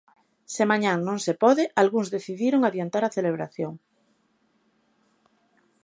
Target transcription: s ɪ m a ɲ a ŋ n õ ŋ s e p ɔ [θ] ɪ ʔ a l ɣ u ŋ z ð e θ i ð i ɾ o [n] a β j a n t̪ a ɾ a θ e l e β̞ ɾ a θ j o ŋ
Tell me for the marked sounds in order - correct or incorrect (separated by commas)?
incorrect, incorrect